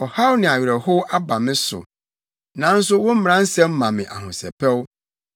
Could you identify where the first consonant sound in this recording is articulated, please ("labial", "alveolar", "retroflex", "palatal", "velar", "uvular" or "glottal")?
glottal